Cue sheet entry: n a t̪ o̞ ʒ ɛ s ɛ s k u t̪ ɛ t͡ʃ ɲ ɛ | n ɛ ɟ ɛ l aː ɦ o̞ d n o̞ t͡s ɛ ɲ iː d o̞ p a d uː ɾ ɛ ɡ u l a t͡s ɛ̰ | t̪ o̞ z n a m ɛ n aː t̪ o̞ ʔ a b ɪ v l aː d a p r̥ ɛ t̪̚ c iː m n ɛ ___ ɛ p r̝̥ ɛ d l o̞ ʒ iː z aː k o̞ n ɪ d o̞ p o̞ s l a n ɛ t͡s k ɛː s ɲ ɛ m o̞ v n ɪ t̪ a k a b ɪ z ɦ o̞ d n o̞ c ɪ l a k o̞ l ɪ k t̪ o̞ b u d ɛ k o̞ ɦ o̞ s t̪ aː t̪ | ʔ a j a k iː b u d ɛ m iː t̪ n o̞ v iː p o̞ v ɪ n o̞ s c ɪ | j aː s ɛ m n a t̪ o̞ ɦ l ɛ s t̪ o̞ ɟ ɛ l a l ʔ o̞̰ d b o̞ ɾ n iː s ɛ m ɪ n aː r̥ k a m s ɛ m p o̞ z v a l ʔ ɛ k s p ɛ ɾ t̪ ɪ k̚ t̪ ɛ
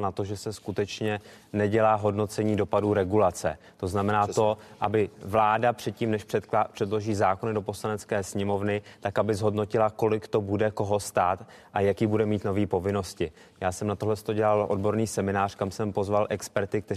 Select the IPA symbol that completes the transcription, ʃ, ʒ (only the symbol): ʃ